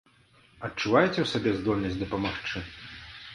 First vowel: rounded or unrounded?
unrounded